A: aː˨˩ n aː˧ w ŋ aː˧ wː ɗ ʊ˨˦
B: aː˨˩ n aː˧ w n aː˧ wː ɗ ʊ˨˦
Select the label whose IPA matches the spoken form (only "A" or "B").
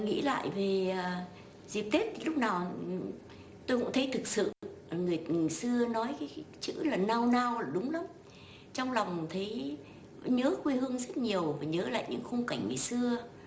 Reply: B